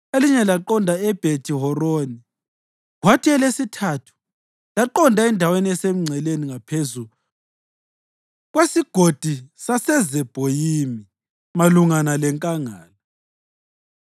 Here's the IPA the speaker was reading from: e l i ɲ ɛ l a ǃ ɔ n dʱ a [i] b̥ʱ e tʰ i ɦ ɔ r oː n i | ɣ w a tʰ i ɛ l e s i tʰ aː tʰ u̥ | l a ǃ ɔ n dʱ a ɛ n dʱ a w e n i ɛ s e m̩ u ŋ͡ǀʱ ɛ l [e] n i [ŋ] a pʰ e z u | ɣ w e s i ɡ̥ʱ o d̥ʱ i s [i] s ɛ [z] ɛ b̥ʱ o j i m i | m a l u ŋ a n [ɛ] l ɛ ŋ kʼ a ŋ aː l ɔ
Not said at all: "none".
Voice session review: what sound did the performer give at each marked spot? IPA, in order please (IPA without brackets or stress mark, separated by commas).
ɛ, e, ŋ, a, z, a